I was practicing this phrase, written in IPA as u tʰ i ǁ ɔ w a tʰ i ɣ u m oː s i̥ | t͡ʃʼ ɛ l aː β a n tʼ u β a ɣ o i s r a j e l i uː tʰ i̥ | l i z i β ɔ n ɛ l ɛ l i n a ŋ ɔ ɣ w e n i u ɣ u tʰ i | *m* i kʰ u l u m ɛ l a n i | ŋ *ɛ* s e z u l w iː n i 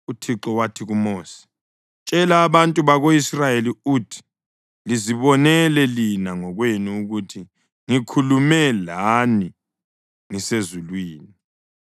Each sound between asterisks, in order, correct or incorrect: incorrect: ŋ, incorrect: i

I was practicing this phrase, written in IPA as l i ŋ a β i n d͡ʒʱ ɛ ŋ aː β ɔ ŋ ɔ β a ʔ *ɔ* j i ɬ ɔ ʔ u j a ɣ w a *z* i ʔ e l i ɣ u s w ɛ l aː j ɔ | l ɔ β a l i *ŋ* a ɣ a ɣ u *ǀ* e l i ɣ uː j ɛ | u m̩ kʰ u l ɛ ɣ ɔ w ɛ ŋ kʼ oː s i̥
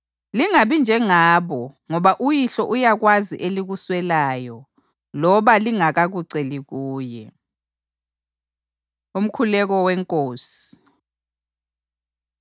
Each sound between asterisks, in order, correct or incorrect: incorrect: u, correct, correct, correct

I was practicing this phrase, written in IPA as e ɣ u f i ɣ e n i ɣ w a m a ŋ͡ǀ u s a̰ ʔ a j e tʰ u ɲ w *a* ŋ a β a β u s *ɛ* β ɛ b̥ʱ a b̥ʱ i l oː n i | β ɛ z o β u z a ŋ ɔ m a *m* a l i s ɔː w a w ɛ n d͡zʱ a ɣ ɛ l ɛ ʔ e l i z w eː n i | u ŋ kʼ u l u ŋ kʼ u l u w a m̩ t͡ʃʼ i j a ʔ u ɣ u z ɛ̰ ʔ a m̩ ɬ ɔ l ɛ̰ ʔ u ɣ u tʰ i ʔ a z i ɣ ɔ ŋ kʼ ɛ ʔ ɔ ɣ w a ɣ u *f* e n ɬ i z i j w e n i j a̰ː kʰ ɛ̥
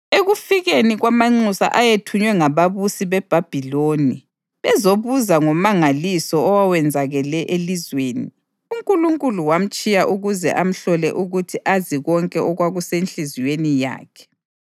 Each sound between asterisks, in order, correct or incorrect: incorrect: ɛ, incorrect: i, incorrect: ŋ, incorrect: s

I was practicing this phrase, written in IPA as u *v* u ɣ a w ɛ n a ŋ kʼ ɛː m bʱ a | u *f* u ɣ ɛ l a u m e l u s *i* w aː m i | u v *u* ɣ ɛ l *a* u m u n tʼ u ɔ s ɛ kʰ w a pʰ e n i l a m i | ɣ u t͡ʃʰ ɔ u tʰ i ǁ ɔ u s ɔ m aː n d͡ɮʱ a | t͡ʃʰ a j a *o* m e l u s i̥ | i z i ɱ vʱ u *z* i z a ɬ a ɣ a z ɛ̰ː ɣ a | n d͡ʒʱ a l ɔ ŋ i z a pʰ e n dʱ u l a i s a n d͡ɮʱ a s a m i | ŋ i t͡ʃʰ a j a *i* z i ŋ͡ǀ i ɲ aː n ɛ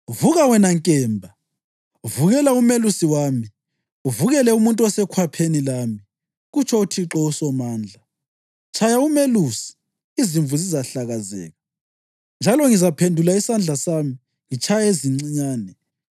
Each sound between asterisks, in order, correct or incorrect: correct, incorrect: v, correct, correct, incorrect: ɛ, incorrect: u, correct, incorrect: e

